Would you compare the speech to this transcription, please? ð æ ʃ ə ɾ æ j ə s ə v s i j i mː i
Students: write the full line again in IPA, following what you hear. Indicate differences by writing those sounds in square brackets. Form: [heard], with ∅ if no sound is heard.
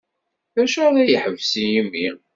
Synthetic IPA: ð æ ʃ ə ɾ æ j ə [ħ] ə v s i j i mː i

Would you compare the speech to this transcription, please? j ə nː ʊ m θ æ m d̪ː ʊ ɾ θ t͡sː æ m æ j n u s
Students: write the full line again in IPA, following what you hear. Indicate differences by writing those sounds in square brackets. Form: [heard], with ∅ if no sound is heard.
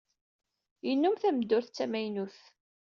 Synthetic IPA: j ə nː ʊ m θ æ m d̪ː ʊ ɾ θ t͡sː æ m æ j n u [θ]

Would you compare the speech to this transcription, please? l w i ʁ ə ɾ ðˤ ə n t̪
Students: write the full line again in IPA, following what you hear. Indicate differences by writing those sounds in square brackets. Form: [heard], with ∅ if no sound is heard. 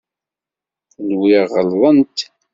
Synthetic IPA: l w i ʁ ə [l] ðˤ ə n t̪

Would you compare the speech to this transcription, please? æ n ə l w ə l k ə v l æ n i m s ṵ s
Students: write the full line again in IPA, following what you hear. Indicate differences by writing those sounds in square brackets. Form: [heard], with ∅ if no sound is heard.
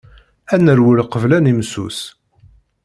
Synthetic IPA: æ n ə [ɾ] w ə l [q] ə v l æ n i m s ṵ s

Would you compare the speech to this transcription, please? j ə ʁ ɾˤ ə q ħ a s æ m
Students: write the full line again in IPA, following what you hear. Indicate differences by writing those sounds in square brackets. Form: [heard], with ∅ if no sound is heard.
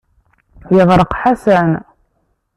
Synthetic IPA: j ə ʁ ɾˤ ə q ħ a s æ [n]

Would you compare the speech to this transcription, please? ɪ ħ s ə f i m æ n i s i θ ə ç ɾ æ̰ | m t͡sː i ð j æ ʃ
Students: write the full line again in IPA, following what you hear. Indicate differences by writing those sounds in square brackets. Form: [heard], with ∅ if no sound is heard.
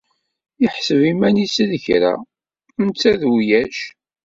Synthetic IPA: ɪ ħ s ə [v] i m æ n i s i [ð] ə ç ɾ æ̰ | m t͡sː [æ] ð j æ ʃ

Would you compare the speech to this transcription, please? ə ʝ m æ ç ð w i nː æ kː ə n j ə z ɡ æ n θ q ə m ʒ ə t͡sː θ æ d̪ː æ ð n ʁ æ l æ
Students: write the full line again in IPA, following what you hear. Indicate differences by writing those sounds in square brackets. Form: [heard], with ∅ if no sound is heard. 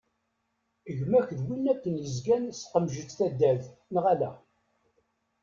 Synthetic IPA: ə ʝ m æ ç ð w i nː æ kː ə n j ə z ɡ æ n [s] q ə m ʒ ə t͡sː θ æ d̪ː æ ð n ʁ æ l æ

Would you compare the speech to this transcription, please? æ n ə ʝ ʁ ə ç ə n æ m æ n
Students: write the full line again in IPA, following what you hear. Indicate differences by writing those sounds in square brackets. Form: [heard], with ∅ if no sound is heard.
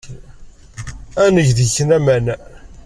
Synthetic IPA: æ n ə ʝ [ð] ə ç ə n æ m æ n

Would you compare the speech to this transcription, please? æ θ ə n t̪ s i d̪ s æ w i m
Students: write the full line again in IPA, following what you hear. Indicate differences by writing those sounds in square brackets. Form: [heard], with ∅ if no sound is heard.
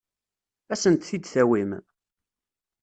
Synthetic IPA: æ [s] ə n t̪ [θ] i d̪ [θ] æ w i m

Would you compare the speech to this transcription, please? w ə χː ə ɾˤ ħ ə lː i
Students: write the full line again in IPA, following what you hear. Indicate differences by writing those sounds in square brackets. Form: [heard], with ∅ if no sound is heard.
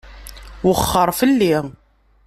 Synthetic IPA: w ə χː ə ɾˤ [f] ə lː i

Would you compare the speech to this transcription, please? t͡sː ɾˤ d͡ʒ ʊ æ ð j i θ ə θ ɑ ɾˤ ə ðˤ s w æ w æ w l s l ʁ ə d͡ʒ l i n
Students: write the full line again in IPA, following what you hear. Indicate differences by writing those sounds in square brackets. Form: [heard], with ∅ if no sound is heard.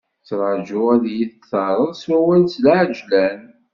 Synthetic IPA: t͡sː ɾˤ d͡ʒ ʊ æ ð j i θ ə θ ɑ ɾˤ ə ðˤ s w æ w æ [∅] l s l [ʕ] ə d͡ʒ l [æ] n

